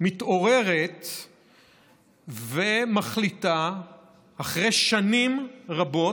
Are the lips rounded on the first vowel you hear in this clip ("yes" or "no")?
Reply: no